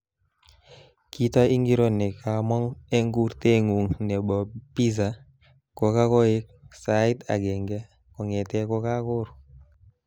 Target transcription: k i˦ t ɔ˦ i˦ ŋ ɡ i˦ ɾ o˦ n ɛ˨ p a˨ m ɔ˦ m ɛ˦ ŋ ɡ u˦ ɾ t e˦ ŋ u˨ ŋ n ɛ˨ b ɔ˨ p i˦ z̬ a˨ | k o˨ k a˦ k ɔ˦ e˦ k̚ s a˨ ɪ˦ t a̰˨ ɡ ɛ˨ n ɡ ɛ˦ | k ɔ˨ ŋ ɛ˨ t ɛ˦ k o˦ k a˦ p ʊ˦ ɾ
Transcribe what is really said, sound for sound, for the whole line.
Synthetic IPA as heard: k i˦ t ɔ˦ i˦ ŋ ɡ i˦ ɾ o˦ n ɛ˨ k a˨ m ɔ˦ ŋ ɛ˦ ŋ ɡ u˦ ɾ t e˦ ŋ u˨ ŋ n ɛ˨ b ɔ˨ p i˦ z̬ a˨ | k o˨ k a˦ k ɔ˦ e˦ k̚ s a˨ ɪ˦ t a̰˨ ɡ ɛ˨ ŋ ɡ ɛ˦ | k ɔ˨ ŋ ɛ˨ t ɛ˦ k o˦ k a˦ k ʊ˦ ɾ